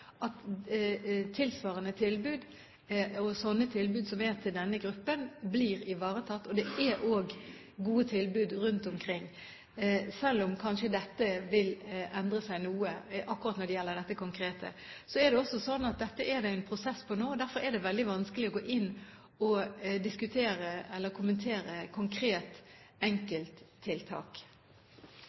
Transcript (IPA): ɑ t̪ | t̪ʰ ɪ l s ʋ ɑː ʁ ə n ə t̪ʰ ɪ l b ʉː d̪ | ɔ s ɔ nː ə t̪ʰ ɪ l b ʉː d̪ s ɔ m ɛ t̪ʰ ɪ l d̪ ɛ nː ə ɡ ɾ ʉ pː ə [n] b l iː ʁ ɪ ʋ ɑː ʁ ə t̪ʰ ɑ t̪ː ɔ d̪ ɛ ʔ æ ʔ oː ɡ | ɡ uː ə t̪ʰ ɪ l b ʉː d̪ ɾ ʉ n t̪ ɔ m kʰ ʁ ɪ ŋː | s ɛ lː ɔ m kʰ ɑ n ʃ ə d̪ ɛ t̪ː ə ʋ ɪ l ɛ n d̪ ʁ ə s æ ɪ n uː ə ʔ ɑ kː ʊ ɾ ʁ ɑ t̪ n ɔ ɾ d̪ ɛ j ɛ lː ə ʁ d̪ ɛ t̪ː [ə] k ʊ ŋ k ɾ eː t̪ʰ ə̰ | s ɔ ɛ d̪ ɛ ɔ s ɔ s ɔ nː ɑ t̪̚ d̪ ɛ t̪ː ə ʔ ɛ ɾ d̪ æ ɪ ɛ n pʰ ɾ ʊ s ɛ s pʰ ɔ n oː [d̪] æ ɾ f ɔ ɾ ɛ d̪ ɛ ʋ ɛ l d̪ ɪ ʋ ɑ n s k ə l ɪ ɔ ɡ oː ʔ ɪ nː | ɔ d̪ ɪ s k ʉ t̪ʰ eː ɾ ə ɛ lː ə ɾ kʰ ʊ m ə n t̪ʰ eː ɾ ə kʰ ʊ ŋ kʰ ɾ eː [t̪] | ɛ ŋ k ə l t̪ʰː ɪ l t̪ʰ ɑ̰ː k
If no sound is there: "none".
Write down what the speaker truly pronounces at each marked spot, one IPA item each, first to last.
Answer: n, ə, d̪, t̪

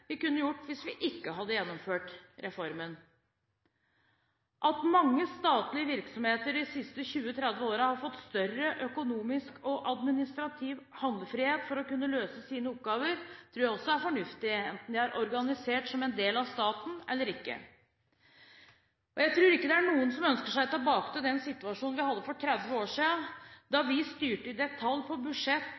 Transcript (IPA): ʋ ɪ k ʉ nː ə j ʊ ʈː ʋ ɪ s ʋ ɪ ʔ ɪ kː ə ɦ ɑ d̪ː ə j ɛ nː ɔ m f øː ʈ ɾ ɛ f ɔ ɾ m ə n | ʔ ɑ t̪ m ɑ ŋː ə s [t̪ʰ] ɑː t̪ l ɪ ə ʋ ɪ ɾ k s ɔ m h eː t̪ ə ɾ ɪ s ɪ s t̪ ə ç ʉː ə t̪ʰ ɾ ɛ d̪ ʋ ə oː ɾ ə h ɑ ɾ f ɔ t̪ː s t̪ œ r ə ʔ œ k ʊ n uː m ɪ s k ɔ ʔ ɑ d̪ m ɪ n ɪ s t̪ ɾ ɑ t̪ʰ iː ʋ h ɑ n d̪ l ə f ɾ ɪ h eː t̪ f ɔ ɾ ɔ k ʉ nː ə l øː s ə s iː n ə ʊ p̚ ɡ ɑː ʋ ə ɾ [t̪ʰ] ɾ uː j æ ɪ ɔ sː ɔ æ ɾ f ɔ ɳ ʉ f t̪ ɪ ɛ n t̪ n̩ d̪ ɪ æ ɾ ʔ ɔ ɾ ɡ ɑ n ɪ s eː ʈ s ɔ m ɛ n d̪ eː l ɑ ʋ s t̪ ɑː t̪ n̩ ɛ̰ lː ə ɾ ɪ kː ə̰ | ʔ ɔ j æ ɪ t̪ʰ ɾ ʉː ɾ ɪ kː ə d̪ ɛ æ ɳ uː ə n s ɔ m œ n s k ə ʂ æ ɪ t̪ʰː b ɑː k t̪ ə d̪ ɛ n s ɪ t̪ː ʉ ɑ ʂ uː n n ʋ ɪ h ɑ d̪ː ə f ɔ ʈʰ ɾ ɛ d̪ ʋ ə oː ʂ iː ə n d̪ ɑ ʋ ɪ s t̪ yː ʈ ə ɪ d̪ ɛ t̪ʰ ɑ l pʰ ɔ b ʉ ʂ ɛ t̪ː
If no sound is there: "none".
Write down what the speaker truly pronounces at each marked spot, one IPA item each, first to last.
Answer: t̪, t̪ʰ

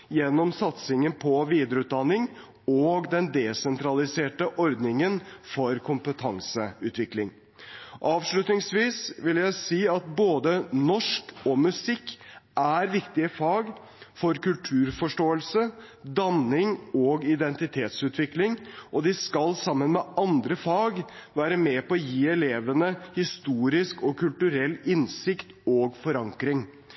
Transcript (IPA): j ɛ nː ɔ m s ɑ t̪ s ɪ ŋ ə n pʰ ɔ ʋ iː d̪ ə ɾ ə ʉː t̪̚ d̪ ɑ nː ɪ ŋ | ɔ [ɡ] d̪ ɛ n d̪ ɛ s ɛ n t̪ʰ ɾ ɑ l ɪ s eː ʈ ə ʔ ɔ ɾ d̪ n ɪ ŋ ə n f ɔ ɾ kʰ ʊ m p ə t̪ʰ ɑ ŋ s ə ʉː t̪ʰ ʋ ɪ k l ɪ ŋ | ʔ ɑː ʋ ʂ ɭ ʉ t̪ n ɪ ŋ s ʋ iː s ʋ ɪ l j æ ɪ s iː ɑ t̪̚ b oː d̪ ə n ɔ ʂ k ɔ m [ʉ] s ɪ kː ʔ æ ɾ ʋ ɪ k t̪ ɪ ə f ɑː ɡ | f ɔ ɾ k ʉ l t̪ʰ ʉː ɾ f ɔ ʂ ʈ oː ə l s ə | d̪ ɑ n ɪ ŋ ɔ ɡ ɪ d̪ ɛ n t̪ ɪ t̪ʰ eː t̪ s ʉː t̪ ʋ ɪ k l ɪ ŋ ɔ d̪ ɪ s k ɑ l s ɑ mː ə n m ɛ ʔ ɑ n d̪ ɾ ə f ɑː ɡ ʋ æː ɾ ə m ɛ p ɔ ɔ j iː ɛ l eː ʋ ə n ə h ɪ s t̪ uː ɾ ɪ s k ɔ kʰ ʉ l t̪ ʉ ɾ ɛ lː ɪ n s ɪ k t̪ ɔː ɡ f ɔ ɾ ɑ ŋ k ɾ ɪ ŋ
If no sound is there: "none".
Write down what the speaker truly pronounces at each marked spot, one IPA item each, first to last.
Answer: ɡ, ʉ

